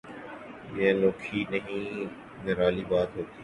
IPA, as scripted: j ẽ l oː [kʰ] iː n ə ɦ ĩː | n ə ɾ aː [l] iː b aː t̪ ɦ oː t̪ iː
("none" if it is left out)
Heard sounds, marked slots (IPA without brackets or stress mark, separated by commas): kʰ, l